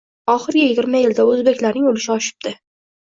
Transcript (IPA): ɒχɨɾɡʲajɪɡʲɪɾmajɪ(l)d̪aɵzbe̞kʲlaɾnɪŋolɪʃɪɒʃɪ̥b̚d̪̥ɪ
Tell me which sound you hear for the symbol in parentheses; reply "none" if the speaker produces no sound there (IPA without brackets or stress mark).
l